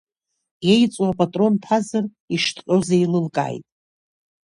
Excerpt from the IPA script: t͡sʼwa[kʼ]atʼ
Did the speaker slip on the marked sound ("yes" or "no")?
yes